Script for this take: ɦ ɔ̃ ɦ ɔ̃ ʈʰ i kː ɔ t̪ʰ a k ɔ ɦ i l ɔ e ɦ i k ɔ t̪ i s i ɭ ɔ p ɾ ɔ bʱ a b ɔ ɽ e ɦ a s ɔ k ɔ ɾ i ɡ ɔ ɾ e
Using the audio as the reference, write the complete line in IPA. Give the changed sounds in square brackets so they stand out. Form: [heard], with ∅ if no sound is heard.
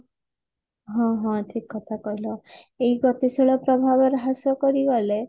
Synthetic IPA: ɦ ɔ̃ ɦ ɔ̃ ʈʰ i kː ɔ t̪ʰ a k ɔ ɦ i l ɔ e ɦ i [ɡ] ɔ t̪ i s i ɭ ɔ p ɾ ɔ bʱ a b ɔ [ɾ] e ɦ a s ɔ k ɔ ɾ i ɡ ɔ [l] e